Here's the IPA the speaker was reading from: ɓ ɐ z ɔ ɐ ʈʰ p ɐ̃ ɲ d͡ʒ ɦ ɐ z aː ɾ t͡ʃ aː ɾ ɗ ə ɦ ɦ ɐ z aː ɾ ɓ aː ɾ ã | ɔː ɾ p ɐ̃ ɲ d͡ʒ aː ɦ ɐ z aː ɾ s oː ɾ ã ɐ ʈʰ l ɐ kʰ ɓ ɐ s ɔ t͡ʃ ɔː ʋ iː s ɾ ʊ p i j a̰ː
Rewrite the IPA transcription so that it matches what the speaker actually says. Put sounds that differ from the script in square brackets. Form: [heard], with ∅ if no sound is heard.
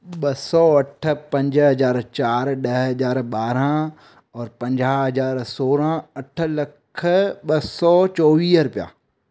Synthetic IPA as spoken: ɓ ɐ [s] ɔ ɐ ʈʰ p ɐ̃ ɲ d͡ʒ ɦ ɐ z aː ɾ t͡ʃ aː ɾ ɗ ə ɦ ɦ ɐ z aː ɾ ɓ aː ɾ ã | ɔː ɾ p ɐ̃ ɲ d͡ʒ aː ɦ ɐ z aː ɾ s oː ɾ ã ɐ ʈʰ l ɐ kʰ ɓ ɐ s ɔ t͡ʃ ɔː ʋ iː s ɾ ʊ p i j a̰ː

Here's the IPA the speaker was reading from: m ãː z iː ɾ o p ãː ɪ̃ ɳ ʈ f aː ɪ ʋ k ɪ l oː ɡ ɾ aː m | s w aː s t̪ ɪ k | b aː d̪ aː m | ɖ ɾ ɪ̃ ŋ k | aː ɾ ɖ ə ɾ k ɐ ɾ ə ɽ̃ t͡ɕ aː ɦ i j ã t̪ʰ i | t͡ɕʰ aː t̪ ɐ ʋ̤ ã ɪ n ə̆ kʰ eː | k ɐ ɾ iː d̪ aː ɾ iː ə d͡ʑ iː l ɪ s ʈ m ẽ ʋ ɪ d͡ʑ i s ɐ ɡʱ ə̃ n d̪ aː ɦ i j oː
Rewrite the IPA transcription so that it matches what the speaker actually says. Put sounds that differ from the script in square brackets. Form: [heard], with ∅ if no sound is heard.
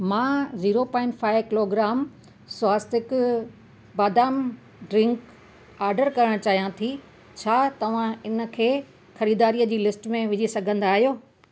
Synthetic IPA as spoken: m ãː z iː ɾ o p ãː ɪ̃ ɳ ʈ f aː ɪ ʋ k ɪ l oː ɡ ɾ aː m | s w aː s t̪ ɪ k | b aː d̪ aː m | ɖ ɾ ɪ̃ ŋ k | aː ɾ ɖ ə ɾ k ɐ ɾ ə ɽ̃ t͡ɕ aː ɦ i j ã t̪ʰ i | t͡ɕʰ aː t̪ ɐ ʋ̤ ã ɪ n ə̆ kʰ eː | [x] ɐ ɾ iː d̪ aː ɾ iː ə d͡ʑ iː l ɪ s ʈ m ẽ ʋ ɪ d͡ʑ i s ɐ ɡʱ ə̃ n d̪ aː ɦ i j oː

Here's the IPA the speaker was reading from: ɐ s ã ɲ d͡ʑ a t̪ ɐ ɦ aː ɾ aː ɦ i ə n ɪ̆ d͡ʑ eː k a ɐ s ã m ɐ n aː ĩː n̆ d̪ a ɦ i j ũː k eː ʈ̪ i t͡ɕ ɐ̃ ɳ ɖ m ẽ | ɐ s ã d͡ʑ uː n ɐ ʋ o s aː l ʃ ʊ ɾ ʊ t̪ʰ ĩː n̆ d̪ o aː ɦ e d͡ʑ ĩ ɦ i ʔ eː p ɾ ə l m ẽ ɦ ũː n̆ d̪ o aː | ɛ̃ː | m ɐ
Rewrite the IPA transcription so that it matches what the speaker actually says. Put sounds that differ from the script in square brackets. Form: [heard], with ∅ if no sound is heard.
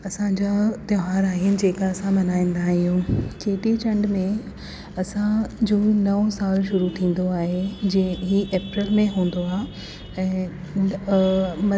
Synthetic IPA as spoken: ɐ s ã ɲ d͡ʑ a t̪ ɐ ɦ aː ɾ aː ɦ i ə n ɪ̆ d͡ʑ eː k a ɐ s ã m ɐ n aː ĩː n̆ d̪ a ɦ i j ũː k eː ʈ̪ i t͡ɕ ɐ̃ ɳ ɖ m ẽ | ɐ s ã d͡ʑ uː n ɐ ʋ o s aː l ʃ ʊ ɾ [u] t̪ʰ ĩː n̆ d̪ o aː ɦ e d͡ʑ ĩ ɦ i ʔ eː p ɾ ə l m ẽ ɦ ũː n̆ d̪ o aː | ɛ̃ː | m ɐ

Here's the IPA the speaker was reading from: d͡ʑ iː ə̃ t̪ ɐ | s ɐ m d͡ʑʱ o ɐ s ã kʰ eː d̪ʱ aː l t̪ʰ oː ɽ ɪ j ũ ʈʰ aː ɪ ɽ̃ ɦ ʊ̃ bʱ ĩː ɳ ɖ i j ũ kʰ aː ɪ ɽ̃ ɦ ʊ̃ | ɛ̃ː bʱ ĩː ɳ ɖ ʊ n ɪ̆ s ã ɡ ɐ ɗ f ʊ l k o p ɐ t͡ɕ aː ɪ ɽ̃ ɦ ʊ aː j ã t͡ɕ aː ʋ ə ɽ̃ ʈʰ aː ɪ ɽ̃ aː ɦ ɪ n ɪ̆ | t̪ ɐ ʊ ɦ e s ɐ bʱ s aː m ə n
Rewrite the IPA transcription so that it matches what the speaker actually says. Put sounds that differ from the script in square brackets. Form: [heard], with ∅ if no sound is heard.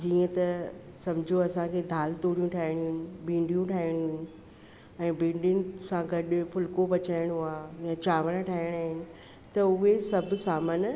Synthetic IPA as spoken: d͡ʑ iː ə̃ t̪ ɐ | s ɐ m d͡ʑʱ o ɐ s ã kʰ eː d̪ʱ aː l [t̪] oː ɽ [i] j ũ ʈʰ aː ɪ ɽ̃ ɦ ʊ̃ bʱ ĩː ɳ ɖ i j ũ [ʈʰ] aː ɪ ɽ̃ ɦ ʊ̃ | ɛ̃ː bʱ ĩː ɳ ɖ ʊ n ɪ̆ s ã ɡ ɐ ɗ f ʊ l k o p ɐ t͡ɕ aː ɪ ɽ̃ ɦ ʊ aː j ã t͡ɕ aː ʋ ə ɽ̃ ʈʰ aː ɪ ɽ̃ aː ɦ ɪ n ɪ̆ | t̪ ɐ ʊ ɦ e s ɐ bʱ s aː m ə n

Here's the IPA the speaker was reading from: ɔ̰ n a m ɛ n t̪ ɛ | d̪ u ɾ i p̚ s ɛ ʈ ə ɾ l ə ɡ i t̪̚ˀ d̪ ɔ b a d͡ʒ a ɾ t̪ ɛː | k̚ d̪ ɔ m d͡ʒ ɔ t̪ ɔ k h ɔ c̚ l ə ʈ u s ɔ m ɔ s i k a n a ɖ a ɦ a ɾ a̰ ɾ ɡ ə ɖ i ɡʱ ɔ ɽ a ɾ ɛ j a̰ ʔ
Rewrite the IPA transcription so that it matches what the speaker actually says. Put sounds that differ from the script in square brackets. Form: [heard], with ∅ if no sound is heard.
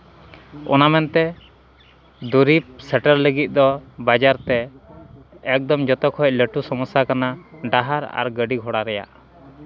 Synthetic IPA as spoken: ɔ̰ n a m ɛ n t̪ ɛ | d̪ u ɾ i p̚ s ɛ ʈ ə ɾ l ə ɡ i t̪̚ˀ d̪ ɔ b a d͡ʒ a ɾ t̪ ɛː | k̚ d̪ ɔ m d͡ʒ ɔ t̪ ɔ k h ɔ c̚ l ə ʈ u s ɔ m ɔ s [a] k a n a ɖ a ɦ a ɾ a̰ ɾ ɡ ə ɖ i ɡʱ ɔ ɽ a ɾ ɛ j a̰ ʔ

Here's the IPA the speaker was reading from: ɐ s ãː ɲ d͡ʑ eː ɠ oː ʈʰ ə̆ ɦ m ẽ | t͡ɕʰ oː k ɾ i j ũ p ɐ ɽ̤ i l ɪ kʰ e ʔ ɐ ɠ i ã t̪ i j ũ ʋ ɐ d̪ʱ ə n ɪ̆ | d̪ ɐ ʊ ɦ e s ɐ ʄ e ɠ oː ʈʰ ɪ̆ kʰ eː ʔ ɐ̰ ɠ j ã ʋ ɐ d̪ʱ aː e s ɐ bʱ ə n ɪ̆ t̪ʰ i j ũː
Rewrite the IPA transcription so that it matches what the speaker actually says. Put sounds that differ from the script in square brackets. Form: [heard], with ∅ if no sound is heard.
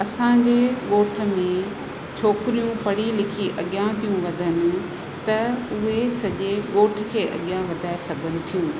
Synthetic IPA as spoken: ɐ s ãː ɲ d͡ʑ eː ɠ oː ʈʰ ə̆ [∅] m ẽ | t͡ɕʰ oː k ɾ i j ũ p ɐ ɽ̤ i l ɪ kʰ [i] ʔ ɐ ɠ [j] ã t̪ i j ũ ʋ ɐ d̪ʱ ə n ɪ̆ | [t̪] ɐ ʊ ɦ e s ɐ ʄ e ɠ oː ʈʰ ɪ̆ kʰ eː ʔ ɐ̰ ɠ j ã ʋ ɐ d̪ʱ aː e s ɐ [ɡʱ] ə n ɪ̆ t̪ʰ i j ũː

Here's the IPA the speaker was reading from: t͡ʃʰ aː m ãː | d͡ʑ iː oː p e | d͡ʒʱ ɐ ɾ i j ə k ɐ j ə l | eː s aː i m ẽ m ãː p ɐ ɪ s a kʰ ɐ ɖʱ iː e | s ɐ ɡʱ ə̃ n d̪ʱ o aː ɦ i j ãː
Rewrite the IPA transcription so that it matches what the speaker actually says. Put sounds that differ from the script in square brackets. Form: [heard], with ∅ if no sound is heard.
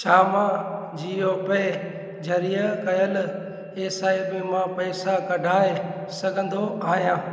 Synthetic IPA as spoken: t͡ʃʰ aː m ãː | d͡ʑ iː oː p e | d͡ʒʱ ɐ ɾ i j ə k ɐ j ə l | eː s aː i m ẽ m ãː p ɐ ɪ s a [k] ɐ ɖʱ [aː] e | s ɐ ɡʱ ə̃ n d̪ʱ o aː ɦ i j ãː

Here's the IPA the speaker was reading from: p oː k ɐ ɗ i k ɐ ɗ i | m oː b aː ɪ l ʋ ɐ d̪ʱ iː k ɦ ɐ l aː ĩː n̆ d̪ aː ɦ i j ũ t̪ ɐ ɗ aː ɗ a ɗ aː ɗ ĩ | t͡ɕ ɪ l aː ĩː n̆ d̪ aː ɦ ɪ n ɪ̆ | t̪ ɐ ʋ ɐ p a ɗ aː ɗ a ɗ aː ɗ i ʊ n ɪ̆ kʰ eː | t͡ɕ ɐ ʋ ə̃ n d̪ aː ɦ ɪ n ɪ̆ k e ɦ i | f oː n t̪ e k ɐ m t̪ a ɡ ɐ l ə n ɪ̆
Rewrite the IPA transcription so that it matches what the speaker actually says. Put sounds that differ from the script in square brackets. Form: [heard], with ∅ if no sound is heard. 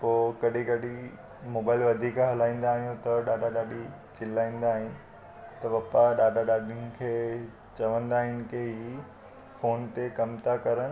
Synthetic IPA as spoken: p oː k ɐ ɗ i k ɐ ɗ i | m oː b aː ɪ l ʋ ɐ d̪ʱ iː k ɦ ɐ l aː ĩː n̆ d̪ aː ɦ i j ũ t̪ ɐ ɗ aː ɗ a ɗ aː ɗ [i] | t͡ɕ ɪ l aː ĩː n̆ d̪ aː ɦ ɪ n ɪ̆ | t̪ ɐ ʋ ɐ p a ɗ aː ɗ a ɗ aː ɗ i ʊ n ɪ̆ kʰ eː | t͡ɕ ɐ ʋ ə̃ n d̪ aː ɦ ɪ n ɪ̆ k e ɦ i | f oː n t̪ e k ɐ m t̪ a [k] ɐ [ɾ] ə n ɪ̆

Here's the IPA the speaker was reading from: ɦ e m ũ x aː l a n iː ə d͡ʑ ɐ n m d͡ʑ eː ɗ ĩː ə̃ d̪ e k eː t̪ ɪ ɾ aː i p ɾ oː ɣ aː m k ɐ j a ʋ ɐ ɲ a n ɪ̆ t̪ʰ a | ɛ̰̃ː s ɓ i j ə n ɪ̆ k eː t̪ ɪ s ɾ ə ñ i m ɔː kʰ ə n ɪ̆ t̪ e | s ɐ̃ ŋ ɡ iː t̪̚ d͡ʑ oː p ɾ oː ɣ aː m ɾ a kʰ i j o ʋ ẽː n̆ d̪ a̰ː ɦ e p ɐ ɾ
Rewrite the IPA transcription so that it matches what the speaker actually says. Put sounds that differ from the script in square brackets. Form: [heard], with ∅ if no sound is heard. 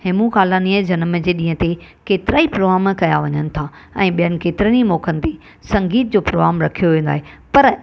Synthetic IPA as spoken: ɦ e m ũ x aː l a n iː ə d͡ʑ ɐ n m d͡ʑ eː ɗ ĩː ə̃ [t̪] e k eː t̪ ɪ ɾ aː i p ɾ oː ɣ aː m k ɐ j a ʋ ɐ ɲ [ə] n ɪ̆ t̪ʰ a | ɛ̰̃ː [∅] ɓ i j ə n ɪ̆ k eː t̪ ɪ [∅] ɾ ə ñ i m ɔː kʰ ə n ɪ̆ t̪ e | s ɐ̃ ŋ ɡ iː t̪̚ d͡ʑ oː p ɾ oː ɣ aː m ɾ [ɐ] kʰ i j o ʋ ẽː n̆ d̪ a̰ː ɦ e p ɐ ɾ

